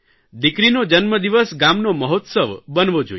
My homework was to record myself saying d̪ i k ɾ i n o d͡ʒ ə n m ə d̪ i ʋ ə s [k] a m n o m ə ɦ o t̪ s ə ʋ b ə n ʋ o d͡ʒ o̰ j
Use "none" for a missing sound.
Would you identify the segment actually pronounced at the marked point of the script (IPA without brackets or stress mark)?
ɡ